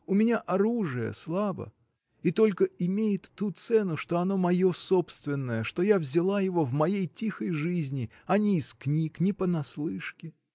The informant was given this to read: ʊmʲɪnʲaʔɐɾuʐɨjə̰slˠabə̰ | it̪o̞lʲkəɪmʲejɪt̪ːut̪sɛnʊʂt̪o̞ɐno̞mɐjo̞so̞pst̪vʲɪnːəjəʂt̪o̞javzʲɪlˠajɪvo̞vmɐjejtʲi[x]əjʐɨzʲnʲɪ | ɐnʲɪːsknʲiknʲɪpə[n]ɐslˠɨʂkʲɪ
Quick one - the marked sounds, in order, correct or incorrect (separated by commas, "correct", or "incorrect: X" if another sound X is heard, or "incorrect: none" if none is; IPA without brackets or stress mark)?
correct, correct